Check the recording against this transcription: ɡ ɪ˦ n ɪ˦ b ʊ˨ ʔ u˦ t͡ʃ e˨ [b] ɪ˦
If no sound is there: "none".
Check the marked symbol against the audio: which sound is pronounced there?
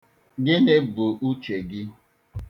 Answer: ɡ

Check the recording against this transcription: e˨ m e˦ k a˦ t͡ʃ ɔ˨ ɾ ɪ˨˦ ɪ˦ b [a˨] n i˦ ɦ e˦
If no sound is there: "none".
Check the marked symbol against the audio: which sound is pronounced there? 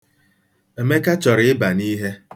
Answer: a˨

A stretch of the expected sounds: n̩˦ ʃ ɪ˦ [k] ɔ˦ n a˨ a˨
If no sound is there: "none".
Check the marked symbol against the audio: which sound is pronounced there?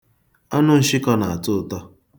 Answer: k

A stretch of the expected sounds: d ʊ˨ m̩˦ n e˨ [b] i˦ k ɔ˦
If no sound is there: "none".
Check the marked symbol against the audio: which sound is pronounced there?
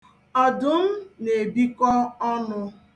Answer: b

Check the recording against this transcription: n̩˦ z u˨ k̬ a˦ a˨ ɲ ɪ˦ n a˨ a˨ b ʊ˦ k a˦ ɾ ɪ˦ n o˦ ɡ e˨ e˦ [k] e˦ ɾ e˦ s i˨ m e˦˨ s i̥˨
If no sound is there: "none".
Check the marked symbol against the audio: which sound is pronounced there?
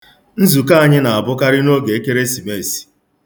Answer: k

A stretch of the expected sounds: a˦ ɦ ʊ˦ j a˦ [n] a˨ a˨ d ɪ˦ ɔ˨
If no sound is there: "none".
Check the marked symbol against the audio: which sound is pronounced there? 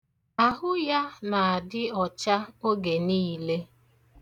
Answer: n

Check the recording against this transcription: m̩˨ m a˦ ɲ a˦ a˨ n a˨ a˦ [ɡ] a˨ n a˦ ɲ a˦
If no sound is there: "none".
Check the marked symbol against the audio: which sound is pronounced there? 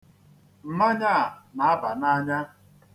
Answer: b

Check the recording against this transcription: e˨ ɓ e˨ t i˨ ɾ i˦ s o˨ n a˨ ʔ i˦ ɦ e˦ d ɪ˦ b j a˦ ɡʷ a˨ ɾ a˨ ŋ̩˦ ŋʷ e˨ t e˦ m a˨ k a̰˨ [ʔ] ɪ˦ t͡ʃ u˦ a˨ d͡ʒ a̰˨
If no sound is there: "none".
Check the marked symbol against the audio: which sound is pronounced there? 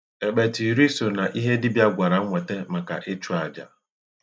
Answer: ʔ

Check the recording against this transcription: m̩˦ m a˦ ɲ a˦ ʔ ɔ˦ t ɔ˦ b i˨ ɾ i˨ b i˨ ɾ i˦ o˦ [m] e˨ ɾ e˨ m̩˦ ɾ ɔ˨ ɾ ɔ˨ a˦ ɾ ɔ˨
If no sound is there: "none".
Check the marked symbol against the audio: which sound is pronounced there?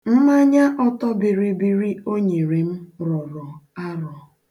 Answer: ɲ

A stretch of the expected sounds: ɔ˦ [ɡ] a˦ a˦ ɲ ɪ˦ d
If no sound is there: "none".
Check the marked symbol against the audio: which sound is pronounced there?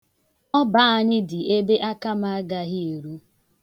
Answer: b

